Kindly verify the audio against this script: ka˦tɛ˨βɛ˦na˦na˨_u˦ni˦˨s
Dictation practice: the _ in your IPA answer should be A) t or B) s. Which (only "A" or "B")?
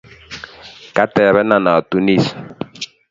A